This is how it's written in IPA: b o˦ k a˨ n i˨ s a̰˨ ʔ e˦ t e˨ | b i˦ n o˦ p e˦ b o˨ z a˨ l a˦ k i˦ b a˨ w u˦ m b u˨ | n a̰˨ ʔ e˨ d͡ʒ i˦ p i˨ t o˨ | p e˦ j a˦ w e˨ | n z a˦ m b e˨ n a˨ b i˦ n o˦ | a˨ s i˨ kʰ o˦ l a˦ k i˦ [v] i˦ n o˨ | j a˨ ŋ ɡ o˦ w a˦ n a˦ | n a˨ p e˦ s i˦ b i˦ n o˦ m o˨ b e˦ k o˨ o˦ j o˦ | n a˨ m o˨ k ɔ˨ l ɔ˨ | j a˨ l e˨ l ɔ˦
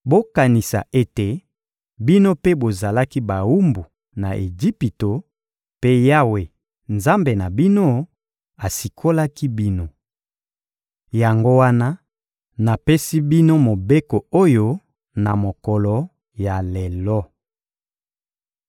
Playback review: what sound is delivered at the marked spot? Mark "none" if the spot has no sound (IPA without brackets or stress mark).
b